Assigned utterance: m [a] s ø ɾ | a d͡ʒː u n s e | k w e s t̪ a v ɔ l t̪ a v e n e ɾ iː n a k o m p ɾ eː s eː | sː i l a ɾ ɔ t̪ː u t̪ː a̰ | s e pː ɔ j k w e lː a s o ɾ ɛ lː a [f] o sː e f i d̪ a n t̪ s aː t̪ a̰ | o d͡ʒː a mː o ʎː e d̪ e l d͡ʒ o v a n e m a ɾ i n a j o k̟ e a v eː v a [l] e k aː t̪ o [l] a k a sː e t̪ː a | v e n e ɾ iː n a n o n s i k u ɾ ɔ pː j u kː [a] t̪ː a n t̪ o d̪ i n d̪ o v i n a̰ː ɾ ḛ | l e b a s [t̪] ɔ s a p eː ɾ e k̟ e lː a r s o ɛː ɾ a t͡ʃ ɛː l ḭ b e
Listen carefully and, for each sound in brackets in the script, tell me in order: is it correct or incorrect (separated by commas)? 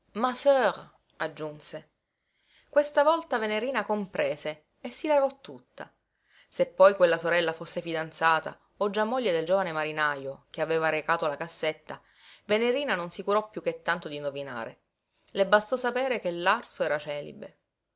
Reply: correct, correct, incorrect, correct, incorrect, correct